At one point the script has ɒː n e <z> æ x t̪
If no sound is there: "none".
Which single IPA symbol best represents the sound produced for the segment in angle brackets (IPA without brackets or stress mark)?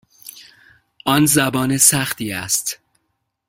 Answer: s